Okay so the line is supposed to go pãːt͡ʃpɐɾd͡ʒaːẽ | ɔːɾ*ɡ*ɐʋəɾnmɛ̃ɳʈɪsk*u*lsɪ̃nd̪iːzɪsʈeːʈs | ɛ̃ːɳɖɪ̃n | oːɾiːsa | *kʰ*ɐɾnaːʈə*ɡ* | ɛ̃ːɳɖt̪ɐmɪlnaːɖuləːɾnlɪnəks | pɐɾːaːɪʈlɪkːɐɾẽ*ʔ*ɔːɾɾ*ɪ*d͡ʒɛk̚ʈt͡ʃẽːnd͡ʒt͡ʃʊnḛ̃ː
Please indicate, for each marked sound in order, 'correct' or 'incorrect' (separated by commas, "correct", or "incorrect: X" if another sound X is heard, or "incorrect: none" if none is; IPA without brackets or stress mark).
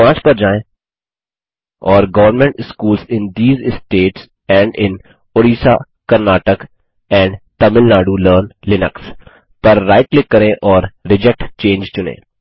correct, incorrect: uː, incorrect: k, incorrect: k, correct, correct